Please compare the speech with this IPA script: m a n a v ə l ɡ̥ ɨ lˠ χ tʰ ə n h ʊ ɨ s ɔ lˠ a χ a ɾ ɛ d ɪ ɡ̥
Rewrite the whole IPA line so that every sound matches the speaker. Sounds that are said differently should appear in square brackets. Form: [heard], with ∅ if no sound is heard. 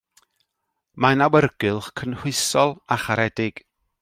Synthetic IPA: m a n a [w] ə [r] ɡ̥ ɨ lˠ χ [kʰ] ə n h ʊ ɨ s ɔ lˠ a χ a ɾ ɛ d ɪ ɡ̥